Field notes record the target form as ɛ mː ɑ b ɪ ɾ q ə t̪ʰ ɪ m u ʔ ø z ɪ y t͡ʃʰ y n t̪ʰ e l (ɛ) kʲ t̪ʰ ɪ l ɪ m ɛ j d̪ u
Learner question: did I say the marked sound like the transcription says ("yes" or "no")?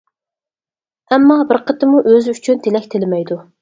yes